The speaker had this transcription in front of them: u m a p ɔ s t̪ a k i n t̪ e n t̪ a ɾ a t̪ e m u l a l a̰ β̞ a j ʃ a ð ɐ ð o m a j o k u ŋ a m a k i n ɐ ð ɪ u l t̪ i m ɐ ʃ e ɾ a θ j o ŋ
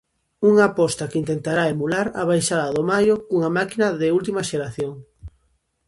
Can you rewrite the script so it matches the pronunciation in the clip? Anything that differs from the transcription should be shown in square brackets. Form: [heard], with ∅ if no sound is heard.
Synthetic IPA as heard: u [ŋ] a p ɔ s t̪ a k i n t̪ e n t̪ a ɾ a [∅] e m u l a [ɾ] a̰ β̞ a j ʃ a ð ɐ ð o m a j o k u ŋ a m a k i n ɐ ð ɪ u l t̪ i m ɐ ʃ e ɾ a θ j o ŋ